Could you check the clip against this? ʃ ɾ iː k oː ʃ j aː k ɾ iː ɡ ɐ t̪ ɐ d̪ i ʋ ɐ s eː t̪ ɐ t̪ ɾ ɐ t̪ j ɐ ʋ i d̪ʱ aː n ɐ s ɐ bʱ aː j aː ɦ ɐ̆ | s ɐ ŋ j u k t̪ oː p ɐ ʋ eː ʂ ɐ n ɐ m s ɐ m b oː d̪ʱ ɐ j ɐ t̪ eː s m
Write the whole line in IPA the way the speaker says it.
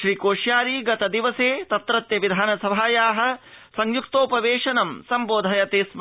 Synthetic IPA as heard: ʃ ɾ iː k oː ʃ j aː ɾ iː ɡ ɐ t̪ ɐ d̪ i ʋ ɐ s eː t̪ ɐ t̪ ɾ ɐ t̪ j ɐ ʋ i d̪ʱ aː n ɐ s ɐ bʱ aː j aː ɦ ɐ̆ | s ɐ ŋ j u k t̪ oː p ɐ ʋ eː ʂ ɐ n ɐ m s ɐ m b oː d̪ʱ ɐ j ɐ t̪ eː s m